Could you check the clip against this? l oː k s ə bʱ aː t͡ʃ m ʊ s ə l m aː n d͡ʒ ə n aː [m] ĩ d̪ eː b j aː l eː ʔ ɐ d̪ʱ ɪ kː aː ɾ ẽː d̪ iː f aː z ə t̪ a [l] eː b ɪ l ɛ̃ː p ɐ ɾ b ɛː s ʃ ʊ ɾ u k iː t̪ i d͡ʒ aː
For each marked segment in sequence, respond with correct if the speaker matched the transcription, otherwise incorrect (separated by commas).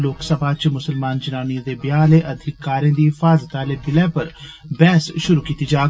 incorrect, correct